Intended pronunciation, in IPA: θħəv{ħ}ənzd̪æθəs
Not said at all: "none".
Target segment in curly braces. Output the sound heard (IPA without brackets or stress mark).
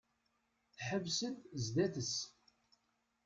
s